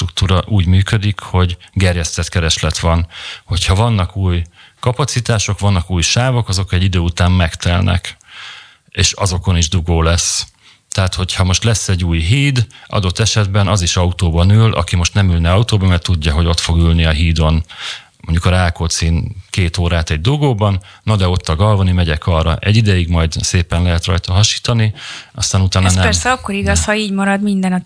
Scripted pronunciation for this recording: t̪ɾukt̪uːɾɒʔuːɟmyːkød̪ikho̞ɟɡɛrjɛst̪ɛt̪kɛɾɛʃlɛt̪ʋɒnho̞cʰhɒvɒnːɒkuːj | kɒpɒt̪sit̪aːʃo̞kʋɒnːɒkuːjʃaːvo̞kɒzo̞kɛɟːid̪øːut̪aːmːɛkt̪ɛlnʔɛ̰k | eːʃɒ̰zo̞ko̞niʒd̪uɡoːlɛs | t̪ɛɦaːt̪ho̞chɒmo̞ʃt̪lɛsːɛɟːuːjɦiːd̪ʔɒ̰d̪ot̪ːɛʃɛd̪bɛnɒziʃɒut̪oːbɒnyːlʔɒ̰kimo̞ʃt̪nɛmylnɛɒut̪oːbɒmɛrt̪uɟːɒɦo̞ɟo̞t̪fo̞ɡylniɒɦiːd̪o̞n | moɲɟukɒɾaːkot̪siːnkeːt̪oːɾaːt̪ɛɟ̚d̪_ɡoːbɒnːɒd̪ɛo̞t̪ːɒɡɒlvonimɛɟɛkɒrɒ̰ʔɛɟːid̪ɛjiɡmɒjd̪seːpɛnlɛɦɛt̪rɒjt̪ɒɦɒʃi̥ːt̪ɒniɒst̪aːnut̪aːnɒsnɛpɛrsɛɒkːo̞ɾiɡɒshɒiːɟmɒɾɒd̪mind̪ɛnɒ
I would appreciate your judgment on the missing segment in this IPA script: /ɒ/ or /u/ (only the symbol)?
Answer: u